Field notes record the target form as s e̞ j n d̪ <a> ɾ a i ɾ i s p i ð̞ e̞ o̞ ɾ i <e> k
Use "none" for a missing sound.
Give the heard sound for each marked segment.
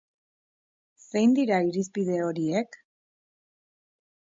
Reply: i, e

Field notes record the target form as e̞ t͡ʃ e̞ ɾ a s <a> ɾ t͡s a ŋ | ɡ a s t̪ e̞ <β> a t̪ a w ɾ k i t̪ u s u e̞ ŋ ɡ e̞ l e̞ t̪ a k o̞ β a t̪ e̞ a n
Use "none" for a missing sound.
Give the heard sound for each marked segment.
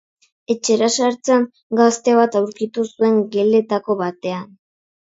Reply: a, β

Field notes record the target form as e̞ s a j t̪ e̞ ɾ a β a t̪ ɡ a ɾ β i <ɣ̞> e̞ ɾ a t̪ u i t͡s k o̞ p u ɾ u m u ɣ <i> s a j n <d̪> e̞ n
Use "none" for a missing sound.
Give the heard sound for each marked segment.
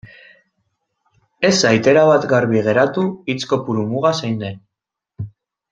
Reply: ɣ̞, a, d̪

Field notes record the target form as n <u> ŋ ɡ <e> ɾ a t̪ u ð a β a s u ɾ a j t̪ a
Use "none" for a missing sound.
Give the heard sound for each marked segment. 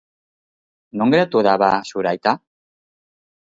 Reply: o, e

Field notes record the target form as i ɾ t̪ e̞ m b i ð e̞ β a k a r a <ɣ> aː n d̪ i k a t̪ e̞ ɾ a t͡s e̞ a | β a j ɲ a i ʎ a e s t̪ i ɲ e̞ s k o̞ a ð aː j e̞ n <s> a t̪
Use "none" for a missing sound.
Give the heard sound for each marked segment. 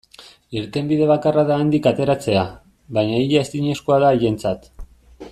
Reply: ð, t͡s

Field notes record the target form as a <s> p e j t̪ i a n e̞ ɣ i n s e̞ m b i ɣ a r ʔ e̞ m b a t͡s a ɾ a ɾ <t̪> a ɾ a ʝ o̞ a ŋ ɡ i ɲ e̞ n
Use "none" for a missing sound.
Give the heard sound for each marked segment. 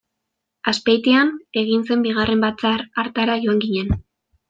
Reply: s, t̪

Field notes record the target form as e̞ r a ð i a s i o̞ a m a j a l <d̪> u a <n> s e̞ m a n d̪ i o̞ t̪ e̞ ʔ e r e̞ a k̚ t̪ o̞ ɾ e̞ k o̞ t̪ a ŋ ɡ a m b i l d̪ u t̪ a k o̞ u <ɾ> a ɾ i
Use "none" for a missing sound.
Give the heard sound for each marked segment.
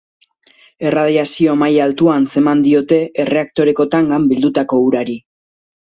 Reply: t̪, n, ɾ

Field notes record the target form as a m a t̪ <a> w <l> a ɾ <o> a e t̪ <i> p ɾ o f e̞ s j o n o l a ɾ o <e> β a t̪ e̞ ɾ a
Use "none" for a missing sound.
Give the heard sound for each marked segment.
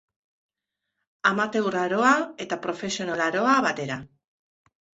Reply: e, r, o, a, a

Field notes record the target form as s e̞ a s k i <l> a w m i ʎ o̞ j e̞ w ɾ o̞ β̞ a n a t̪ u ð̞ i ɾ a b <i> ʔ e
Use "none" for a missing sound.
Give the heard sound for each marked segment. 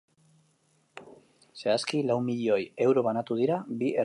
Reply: l, i

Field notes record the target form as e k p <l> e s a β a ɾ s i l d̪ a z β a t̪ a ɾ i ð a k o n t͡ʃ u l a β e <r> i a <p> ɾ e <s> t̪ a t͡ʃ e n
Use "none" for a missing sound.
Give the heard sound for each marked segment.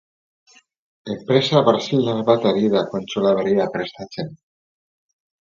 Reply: ɾ, ɾ, p, s

